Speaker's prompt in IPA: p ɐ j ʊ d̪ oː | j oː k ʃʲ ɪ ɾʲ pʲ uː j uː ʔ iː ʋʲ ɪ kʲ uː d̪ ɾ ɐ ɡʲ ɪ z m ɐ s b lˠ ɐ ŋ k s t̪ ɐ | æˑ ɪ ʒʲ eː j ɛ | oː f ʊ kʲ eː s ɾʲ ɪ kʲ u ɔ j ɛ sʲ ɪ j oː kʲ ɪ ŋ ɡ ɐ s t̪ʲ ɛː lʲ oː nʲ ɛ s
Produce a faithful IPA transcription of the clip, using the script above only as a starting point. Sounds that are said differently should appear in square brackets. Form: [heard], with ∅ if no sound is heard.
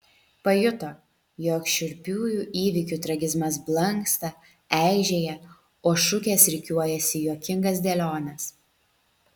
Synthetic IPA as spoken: p ɐ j ʊ [t̪] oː | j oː k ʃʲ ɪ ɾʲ pʲ uː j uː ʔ iː ʋʲ ɪ kʲ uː [t̪] ɾ ɐ ɡʲ ɪ z m ɐ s b lˠ ɐ ŋ k s t̪ ɐ | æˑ ɪ ʒʲ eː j ɛ | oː [ʃ] ʊ kʲ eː s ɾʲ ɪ kʲ u ɔ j ɛ sʲ ɪ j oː kʲ ɪ ŋ ɡ ɐ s [d̪ʲ] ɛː lʲ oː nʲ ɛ s